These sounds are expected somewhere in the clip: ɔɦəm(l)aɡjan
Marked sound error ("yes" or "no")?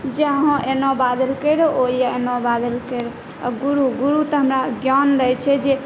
yes